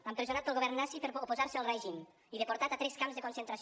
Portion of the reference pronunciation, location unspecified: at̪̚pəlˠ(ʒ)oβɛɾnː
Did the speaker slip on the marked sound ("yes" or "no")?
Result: yes